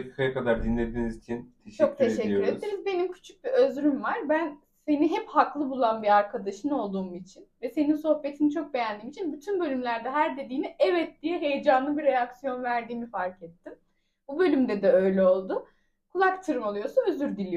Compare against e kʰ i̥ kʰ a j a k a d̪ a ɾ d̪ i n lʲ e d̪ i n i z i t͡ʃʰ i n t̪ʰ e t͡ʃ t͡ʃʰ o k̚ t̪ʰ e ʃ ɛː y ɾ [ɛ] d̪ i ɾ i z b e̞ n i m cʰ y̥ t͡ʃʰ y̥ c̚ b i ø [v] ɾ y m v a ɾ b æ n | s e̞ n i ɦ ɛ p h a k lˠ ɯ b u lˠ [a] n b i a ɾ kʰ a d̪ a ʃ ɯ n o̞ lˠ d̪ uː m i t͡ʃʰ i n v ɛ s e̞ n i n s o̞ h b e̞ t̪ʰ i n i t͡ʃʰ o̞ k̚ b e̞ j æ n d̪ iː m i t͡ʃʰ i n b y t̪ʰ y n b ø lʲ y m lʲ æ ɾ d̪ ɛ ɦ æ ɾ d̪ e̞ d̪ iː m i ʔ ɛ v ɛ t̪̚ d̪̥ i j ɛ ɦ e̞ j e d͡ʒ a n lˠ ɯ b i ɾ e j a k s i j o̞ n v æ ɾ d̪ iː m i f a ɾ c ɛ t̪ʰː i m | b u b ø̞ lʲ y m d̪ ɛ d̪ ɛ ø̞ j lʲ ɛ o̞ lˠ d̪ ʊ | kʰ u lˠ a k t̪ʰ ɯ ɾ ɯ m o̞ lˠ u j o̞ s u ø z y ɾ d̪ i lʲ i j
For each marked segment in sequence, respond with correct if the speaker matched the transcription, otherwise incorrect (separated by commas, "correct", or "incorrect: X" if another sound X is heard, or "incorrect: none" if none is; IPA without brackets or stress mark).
incorrect: e, incorrect: z, correct